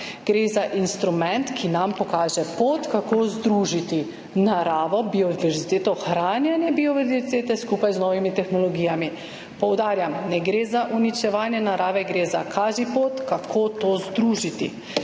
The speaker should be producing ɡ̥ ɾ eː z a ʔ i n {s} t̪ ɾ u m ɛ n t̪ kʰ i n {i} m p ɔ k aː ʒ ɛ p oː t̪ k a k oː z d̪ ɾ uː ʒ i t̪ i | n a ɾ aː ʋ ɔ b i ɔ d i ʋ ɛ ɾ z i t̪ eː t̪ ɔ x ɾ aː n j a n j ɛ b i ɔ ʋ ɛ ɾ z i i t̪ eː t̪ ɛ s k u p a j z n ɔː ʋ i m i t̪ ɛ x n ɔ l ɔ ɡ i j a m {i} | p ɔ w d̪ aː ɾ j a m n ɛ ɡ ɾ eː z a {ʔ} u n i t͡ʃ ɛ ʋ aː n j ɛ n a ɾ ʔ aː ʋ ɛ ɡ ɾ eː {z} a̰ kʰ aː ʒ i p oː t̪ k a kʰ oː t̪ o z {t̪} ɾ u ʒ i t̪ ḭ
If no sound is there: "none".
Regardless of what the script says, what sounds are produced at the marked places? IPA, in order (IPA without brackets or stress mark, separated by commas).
s, a, i, ʔ, z, d̪